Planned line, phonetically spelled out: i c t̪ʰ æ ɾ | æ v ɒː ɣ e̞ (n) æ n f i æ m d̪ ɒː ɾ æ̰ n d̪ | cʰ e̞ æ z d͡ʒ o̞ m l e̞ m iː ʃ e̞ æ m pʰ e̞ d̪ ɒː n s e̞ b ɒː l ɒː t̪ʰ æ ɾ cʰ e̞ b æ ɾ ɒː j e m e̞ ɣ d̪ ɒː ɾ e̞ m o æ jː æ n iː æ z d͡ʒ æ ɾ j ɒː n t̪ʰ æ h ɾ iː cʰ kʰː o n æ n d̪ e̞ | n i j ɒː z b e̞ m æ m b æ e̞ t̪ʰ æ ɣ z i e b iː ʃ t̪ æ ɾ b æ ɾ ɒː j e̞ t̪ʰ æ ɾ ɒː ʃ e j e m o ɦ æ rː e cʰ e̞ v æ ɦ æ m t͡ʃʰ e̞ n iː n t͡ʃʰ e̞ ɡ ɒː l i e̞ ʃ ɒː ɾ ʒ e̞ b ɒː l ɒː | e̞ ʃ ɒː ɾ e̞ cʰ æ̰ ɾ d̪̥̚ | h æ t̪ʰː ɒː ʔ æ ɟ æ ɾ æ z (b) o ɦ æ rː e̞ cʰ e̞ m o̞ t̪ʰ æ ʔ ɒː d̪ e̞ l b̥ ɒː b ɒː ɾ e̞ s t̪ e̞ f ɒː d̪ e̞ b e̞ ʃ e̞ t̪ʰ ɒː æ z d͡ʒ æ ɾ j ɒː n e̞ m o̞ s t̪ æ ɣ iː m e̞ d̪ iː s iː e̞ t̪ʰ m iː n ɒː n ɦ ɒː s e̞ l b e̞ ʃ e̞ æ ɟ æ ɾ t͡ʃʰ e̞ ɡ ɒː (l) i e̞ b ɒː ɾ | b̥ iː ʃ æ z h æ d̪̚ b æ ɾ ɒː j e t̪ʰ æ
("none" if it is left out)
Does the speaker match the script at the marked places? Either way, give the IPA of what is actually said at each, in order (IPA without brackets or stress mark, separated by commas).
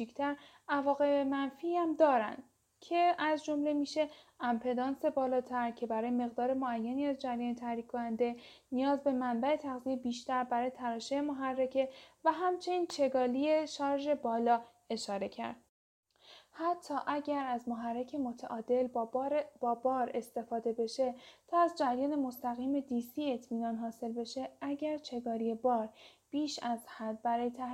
m, m, ɾ